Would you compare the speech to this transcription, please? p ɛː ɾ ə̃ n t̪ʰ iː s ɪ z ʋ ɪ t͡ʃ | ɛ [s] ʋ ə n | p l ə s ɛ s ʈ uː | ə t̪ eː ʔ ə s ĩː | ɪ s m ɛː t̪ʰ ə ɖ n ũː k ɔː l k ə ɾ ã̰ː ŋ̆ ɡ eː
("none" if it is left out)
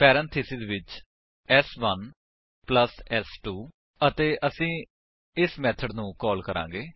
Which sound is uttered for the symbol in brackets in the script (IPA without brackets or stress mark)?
s